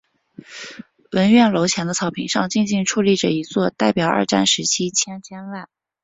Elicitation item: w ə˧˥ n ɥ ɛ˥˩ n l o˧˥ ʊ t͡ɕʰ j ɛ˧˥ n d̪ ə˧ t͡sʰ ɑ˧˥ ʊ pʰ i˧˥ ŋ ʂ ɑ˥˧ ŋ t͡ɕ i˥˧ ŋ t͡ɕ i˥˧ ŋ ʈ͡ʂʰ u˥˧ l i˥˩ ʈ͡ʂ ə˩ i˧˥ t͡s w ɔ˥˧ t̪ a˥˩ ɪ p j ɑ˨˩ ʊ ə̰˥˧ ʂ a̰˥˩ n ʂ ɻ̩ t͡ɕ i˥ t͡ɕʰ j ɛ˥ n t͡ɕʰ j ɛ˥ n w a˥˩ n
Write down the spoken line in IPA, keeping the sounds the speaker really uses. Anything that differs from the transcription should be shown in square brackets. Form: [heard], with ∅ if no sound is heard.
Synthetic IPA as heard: w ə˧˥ n ɥ ɛ˥˩ n l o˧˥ ʊ t͡ɕʰ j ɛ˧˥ n d̪ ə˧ t͡sʰ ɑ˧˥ ʊ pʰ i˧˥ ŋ ʂ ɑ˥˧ ŋ t͡ɕ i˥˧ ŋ t͡ɕ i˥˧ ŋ ʈ͡ʂʰ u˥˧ l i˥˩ ʈ͡ʂ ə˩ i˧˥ t͡s w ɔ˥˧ t̪ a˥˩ ɪ p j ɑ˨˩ ʊ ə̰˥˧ [ʈ͡ʂ] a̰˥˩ n ʂ ɻ̩ [t͡ɕʰ] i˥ t͡ɕʰ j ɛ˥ n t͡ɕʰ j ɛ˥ n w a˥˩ n